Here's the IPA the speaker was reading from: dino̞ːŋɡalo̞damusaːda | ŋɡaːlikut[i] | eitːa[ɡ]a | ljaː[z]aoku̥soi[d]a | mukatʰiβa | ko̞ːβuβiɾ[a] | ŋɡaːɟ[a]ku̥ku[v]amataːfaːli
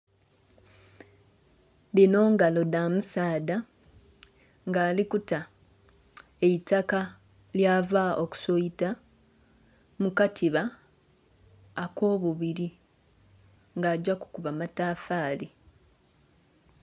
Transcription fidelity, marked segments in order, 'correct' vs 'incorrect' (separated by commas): incorrect, incorrect, incorrect, incorrect, incorrect, correct, incorrect